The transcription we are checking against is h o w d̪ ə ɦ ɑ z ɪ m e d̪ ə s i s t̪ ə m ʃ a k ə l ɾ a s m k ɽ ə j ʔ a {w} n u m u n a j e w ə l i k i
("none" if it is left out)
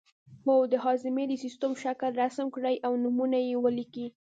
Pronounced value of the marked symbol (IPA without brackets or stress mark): w